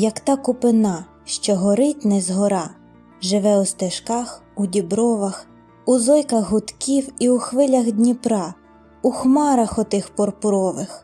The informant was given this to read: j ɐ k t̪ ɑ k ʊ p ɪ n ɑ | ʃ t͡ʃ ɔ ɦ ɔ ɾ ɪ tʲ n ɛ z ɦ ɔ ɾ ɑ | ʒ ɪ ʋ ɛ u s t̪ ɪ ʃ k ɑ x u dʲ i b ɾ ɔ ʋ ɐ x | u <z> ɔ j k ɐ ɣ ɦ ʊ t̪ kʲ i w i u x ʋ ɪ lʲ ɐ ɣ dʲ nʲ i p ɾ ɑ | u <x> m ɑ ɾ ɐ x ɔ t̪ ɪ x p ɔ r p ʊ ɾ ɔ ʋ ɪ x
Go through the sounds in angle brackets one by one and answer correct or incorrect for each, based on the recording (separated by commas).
correct, correct